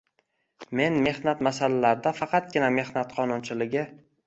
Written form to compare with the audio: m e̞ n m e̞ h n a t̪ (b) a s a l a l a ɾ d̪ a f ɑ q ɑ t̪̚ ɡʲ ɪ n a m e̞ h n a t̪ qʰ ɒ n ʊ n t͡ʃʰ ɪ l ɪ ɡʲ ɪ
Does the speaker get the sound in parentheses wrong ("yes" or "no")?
yes